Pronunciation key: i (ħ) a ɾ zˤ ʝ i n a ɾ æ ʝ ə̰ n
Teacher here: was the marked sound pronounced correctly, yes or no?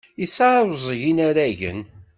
no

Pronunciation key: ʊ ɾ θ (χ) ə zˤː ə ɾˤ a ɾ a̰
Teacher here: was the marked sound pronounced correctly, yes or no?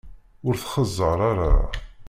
yes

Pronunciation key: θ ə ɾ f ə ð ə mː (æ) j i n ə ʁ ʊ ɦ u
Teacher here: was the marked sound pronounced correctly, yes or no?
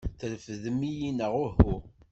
no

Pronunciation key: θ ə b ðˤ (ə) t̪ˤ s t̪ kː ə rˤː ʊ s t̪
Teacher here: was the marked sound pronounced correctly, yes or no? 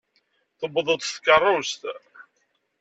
yes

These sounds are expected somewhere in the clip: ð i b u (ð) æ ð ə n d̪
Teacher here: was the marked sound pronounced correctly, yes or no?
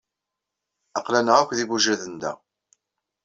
no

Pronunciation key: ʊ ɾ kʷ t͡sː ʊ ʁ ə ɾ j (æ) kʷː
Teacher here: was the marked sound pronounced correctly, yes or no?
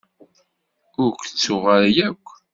yes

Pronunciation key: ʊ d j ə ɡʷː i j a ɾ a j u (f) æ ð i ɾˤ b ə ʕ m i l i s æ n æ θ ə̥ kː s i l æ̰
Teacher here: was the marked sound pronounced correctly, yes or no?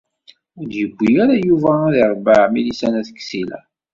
no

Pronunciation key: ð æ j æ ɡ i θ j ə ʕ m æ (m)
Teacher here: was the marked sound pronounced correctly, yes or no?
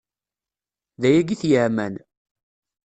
no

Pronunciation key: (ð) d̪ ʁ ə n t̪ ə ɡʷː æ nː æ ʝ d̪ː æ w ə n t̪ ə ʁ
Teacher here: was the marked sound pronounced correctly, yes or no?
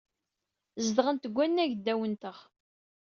no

